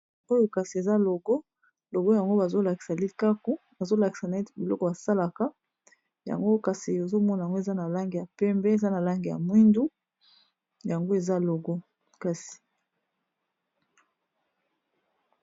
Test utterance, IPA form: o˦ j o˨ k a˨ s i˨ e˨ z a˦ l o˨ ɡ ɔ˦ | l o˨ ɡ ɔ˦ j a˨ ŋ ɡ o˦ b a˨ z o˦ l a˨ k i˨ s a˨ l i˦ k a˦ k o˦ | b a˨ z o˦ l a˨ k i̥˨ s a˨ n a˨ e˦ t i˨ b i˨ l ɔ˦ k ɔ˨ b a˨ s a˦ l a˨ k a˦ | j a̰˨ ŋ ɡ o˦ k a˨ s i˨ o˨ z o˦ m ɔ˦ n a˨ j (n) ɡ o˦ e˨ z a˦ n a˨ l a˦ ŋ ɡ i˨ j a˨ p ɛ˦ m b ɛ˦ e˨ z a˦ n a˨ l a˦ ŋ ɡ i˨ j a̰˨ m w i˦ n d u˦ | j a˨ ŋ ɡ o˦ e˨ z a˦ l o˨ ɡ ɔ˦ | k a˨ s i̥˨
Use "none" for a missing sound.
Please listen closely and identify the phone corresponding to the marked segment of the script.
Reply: ŋ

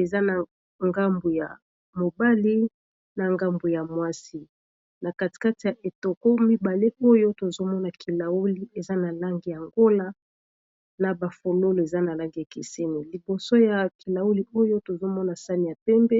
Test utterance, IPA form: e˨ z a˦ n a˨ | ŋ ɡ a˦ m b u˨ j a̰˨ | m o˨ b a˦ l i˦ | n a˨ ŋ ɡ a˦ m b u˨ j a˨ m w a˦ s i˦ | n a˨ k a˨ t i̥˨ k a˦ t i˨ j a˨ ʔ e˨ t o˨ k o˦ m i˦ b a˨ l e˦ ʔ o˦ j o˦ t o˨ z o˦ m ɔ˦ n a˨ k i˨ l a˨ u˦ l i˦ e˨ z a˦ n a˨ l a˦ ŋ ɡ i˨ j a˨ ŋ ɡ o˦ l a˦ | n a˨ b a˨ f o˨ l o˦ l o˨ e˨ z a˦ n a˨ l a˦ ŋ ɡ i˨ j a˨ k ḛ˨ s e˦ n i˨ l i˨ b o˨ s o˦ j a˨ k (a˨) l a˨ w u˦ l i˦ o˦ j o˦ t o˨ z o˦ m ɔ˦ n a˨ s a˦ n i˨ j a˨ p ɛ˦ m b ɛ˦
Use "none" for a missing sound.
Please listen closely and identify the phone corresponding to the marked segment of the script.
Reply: i˨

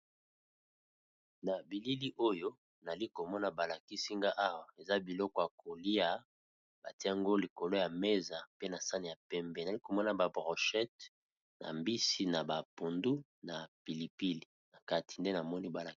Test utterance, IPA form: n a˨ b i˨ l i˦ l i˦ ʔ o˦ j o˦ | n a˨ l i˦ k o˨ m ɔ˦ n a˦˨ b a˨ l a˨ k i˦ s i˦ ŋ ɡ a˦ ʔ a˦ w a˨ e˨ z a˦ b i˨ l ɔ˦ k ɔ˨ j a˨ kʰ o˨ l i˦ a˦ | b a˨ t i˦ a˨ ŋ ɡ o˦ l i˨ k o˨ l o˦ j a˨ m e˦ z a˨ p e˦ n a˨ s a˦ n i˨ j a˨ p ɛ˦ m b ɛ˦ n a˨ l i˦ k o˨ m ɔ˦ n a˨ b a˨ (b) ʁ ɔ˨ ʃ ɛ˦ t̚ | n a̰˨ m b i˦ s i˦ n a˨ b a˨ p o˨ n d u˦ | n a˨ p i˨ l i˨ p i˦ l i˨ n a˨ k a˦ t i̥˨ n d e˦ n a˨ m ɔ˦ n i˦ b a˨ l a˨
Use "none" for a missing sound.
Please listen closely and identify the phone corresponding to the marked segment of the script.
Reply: b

